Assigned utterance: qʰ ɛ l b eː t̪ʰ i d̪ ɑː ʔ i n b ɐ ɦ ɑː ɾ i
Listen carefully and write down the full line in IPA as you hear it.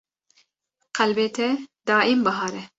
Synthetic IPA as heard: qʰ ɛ l b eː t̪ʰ ɛ d̪ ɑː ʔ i m b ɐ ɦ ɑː ɾ ɛ